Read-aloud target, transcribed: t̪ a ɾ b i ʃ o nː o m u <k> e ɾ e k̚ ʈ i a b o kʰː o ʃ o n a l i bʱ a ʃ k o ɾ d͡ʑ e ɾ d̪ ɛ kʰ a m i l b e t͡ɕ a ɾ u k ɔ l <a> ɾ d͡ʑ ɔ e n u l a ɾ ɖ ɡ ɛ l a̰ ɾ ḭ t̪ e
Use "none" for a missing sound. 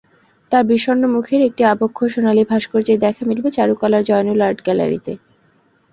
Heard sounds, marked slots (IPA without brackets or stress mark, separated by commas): kʰ, a